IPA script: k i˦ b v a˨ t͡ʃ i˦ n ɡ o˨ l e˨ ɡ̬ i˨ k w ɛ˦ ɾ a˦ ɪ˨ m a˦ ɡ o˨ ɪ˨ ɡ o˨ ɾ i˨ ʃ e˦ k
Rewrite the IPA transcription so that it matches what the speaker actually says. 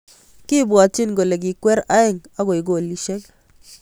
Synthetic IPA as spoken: k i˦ b w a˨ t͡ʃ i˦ n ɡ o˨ l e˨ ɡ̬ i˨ k w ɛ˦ ɾ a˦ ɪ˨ ŋ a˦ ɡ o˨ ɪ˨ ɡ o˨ l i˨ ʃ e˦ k

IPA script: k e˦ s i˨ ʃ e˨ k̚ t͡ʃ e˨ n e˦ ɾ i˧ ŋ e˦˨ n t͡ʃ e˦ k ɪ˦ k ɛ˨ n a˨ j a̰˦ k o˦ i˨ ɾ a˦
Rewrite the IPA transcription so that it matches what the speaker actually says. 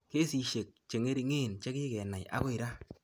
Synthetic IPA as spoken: k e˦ s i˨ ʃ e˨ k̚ t͡ʃ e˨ ŋ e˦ ɾ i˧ ŋ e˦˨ n t͡ʃ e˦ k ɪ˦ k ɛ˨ n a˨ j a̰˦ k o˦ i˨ ɾ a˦

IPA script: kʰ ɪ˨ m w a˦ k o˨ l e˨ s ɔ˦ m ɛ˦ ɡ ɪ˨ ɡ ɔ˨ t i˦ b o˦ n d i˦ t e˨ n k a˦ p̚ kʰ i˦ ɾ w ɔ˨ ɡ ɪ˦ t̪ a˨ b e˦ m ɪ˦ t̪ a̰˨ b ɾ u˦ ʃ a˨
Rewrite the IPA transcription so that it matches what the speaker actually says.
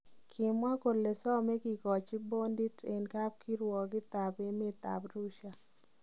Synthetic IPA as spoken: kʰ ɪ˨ m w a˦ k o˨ l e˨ s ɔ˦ m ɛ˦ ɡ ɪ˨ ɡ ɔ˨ t͡ʃ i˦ b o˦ n d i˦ t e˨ n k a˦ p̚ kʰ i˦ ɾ w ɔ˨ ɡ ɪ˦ t̪ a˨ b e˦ m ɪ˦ t̪ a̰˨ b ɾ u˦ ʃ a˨

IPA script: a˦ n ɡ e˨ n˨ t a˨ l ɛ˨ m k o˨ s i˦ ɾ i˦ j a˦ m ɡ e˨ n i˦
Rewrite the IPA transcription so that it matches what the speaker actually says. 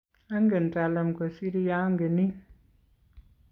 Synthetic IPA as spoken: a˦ ŋ ɡ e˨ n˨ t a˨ l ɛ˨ m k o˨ s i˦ ɾ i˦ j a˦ ŋ ɡ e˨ n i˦

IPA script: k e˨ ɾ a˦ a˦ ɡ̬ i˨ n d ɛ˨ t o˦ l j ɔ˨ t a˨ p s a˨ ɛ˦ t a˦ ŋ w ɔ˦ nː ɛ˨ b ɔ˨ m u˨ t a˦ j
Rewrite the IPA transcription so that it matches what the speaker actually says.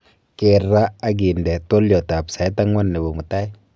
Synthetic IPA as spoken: k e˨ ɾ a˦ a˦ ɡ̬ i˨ n d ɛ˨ t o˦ l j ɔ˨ t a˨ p s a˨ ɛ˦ t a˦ ŋ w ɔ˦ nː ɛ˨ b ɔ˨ m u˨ t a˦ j

